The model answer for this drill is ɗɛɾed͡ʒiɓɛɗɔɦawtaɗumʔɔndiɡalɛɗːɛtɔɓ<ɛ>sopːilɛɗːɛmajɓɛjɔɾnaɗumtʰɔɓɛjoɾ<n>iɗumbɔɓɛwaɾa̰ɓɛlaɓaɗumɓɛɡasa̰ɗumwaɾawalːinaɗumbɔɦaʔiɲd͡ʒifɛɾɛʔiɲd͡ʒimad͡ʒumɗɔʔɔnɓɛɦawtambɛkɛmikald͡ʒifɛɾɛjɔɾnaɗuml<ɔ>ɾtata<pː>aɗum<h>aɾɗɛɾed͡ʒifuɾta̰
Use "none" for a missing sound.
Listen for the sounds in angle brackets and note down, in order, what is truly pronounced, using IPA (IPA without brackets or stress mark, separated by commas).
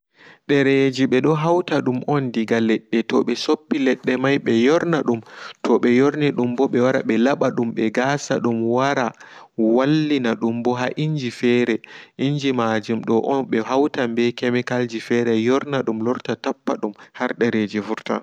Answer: ɛ, n, ɔ, pː, h